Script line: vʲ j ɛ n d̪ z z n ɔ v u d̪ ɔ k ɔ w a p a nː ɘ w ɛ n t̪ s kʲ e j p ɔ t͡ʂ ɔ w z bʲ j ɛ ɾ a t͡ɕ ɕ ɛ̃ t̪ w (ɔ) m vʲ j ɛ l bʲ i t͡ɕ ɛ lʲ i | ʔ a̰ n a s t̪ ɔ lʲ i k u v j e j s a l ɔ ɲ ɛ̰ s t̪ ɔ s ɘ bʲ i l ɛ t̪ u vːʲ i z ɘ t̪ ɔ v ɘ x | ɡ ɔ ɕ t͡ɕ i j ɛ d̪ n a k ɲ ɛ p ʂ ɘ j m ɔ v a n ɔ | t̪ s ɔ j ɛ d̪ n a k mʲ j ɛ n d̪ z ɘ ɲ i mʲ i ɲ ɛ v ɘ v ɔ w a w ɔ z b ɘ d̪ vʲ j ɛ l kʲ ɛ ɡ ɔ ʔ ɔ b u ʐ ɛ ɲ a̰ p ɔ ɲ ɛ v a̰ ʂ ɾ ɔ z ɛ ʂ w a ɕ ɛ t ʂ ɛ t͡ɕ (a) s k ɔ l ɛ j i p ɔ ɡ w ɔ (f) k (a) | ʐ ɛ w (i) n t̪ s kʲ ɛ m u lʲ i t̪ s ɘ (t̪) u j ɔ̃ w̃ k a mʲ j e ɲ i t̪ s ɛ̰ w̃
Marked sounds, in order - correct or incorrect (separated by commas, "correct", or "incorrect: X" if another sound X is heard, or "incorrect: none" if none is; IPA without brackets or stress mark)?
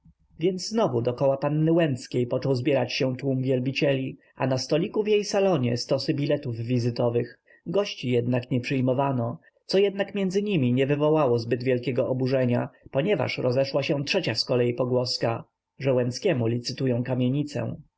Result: incorrect: u, correct, incorrect: s, correct, incorrect: ɛ, correct